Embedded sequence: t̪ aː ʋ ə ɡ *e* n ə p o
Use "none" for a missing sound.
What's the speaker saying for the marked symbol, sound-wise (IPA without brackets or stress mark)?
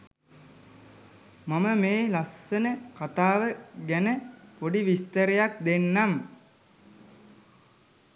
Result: æ